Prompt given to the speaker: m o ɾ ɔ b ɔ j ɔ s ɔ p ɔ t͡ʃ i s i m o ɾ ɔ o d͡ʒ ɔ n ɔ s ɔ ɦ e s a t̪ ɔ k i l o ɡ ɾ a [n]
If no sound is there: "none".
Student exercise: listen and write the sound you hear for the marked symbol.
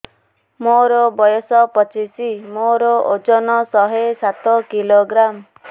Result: m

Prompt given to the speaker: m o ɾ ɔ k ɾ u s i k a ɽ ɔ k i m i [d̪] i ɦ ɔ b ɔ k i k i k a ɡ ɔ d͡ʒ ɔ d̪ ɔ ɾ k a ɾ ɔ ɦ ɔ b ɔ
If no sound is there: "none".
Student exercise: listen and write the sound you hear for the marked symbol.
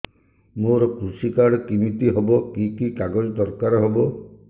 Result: t̪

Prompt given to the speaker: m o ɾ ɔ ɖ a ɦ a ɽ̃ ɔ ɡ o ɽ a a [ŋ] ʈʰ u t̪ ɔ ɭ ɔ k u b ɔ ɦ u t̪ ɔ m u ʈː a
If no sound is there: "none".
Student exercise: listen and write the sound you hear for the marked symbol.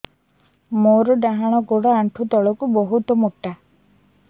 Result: ɳ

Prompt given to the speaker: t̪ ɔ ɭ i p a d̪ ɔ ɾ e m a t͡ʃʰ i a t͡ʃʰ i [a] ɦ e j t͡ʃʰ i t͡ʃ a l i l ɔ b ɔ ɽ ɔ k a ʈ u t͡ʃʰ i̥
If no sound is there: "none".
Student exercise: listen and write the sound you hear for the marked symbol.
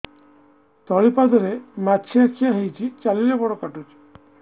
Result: a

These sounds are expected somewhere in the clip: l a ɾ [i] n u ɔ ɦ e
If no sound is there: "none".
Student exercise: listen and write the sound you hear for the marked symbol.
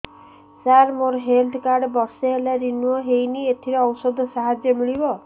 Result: i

